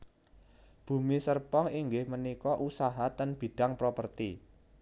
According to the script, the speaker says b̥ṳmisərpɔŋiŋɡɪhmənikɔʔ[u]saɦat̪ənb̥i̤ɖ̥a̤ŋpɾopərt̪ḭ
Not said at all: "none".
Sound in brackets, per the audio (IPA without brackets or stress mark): u